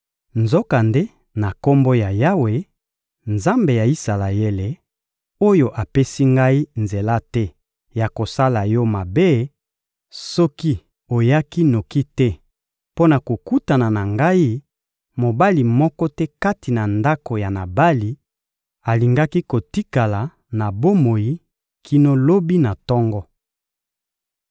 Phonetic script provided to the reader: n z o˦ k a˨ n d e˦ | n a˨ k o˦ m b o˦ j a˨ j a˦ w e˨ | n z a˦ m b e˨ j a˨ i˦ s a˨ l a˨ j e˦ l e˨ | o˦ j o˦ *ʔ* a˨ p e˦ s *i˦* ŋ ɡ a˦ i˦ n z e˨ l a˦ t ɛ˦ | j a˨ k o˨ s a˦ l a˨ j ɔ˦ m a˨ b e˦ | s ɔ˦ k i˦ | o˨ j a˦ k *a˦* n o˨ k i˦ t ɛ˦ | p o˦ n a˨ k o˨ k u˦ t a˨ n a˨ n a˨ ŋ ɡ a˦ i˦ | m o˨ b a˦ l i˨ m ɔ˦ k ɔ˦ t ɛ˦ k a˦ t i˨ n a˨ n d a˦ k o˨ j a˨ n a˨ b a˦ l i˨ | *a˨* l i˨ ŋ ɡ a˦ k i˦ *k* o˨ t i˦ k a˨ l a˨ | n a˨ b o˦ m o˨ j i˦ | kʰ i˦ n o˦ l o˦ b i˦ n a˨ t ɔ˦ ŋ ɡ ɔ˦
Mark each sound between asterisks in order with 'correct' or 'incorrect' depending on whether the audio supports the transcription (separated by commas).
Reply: correct, correct, incorrect, correct, correct